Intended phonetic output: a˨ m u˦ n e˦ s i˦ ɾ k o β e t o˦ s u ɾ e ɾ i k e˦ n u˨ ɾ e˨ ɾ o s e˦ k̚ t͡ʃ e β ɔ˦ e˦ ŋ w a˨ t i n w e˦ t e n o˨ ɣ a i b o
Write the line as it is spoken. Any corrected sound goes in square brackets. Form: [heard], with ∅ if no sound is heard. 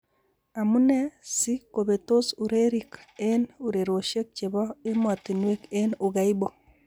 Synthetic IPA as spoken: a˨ m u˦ n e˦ s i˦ [∅] k o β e t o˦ s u ɾ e ɾ i k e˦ n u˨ ɾ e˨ ɾ o [ʃ] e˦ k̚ t͡ʃ e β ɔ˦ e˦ [m] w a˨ t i n w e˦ [k] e n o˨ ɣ a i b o